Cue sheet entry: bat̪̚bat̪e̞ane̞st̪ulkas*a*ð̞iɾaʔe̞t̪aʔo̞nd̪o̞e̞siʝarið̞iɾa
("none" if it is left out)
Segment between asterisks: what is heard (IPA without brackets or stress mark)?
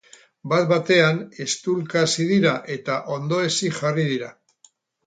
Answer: i